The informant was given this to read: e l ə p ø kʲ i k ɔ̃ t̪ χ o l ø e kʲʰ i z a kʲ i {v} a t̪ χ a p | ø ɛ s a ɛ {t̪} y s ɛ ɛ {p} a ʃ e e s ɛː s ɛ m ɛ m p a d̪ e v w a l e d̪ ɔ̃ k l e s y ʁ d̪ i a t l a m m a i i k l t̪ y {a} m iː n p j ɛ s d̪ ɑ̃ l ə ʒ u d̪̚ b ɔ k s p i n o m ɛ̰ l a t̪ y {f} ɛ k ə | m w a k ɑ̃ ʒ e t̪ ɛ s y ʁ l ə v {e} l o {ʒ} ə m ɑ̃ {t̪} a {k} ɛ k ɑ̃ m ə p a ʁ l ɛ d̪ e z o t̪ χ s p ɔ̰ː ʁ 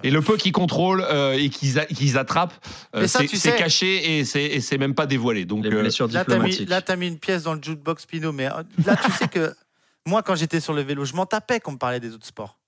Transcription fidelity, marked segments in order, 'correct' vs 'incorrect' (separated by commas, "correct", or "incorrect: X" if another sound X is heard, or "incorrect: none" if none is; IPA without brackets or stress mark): incorrect: z, correct, incorrect: k, correct, incorrect: s, correct, correct, correct, incorrect: p